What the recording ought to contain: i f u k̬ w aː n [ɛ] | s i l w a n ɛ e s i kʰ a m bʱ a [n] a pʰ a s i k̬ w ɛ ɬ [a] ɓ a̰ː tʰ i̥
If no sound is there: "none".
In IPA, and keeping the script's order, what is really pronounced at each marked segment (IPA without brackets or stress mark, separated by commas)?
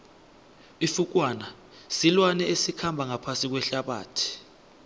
a, ŋ, a